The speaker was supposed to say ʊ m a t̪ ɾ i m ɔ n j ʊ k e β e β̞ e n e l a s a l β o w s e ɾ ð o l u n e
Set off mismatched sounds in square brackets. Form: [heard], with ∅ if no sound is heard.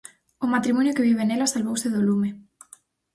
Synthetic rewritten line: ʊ m a t̪ ɾ i m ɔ n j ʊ k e β [i] β̞ e n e l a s a l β o w s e [∅] ð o l u [m] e